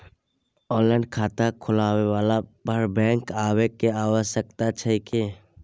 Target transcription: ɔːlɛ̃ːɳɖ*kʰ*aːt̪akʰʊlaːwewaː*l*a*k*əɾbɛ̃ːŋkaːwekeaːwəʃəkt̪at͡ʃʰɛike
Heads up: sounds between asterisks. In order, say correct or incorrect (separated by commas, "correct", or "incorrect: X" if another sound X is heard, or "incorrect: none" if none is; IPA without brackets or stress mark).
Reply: correct, correct, incorrect: p